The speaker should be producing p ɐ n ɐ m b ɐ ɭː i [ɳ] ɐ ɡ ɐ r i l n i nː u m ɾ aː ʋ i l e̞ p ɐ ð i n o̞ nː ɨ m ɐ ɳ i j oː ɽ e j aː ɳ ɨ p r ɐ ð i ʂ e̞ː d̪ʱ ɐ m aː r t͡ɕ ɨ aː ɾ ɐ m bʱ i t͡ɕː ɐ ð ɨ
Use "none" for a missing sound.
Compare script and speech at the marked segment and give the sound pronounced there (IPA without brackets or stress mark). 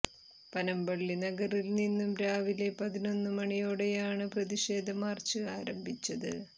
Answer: n